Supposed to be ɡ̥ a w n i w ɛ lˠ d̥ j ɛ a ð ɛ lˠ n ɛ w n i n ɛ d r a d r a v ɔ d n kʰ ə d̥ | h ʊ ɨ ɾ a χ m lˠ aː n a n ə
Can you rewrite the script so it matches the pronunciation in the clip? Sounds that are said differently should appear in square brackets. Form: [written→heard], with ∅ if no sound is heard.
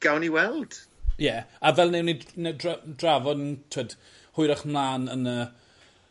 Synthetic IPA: ɡ̥ a w n i w ɛ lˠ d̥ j ɛ a [ð→v] ɛ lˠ n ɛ w n i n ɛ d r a d r a v ɔ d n [kʰ→tʰ] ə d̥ | h ʊ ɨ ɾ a χ m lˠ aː n [a→ə] n ə